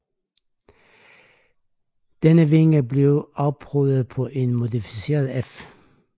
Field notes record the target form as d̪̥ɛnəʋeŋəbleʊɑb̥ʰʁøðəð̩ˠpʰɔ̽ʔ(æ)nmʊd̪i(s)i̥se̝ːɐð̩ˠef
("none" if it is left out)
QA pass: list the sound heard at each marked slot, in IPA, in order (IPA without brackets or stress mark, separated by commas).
e, f